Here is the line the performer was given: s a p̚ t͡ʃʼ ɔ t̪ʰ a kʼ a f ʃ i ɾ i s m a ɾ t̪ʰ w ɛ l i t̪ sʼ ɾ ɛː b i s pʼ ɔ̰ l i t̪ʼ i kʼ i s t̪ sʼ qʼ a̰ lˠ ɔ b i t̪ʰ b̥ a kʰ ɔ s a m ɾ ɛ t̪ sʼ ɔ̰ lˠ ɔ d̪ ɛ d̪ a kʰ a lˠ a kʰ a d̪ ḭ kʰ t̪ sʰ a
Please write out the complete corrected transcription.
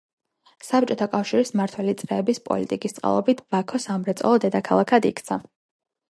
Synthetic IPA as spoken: s a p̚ t͡ʃʼ ɔ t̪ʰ a kʼ a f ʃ i ɾ i s m a ɾ t̪ʰ w ɛ l i t̪ sʼ ɾ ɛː b i s pʼ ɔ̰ l i t̪ʼ i kʼ i s t̪ sʼ qʼ a̰ lˠ ɔ b i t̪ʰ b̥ a kʰ ɔ s a m ɾ ɛ t̪ sʼ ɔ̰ lˠ ɔ d̪ ɛ d̪ a kʰ a lˠ a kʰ a d̪ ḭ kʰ t̪ sʰ a